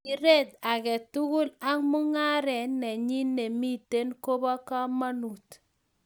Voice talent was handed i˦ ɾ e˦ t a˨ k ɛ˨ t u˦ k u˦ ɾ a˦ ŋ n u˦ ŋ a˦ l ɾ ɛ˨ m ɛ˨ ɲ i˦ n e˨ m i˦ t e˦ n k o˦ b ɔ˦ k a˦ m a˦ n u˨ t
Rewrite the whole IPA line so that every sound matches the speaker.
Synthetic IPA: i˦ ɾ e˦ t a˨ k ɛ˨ t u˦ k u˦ l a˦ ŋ m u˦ ŋ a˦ ɾ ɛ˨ n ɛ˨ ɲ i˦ n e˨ m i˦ t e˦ n k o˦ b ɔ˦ k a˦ m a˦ n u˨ t